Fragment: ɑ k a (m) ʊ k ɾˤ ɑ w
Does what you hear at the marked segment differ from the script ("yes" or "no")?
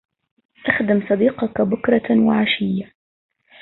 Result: yes